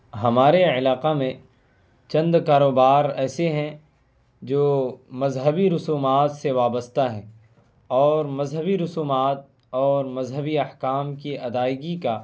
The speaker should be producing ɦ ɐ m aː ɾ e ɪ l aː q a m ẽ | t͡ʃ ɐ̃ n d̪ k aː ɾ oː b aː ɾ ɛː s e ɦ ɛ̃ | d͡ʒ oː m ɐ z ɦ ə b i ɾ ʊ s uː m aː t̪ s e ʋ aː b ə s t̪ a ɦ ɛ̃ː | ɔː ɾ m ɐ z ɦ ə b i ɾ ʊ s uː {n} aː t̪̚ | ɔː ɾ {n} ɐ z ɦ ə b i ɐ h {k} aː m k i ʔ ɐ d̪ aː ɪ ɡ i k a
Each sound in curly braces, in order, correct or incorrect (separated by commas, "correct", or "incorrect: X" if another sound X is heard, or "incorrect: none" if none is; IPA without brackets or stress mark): incorrect: m, incorrect: m, correct